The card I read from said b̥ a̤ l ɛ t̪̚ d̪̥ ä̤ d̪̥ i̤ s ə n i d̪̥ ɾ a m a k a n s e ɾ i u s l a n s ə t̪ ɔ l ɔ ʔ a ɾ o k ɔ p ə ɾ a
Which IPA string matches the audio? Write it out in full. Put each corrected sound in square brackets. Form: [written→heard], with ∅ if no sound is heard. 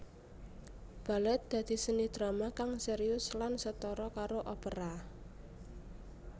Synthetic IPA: b̥ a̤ l ɛ t̪̚ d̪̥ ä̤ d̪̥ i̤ s ə n i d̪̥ ɾ a m a k a [n→ŋ] s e ɾ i [u→ʊ] s l a n s ə t̪ ɔ [l→ɾ] ɔ [ʔ→k] a ɾ o [k→ʔ] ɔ p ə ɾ a